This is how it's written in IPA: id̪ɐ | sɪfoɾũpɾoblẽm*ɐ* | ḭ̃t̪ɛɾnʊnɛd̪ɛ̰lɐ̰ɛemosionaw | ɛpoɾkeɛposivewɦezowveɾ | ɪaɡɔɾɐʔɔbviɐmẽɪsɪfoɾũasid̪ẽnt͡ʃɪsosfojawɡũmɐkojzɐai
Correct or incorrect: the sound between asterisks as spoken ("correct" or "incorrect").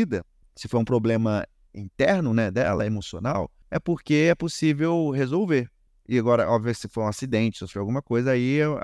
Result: correct